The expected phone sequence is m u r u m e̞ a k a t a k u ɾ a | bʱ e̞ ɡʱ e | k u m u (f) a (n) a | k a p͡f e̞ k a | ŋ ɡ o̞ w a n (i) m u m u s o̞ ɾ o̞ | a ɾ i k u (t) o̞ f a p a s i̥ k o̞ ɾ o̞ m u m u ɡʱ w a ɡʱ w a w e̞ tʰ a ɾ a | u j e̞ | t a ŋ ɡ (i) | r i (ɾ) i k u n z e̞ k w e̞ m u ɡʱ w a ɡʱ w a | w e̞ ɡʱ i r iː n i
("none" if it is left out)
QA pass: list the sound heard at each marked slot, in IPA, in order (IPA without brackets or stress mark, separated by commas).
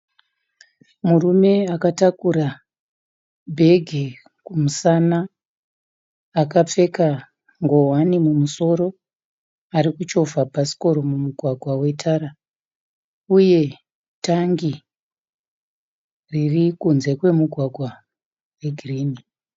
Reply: s, n, i, t͡ʃ, i, r